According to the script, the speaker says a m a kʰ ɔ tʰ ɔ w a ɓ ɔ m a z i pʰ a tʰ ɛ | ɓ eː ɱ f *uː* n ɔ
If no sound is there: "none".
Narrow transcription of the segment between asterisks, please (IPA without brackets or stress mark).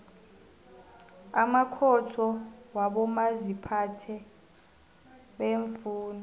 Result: uː